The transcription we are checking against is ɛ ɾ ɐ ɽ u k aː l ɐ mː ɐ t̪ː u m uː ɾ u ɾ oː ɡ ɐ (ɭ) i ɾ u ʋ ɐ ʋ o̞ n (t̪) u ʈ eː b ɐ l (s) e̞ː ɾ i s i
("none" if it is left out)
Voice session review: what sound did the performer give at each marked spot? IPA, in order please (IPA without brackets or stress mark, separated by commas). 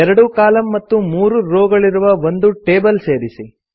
ɭ, d̪, s